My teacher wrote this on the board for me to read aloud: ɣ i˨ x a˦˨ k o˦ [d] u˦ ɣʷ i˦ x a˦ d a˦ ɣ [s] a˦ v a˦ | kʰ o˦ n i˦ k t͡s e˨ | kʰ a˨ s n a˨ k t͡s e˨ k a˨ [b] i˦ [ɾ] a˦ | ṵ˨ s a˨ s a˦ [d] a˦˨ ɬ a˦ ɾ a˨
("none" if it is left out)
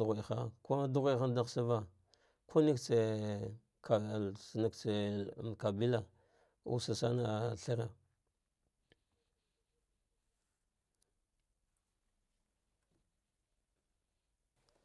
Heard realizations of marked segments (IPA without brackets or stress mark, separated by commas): d, s, b, l, n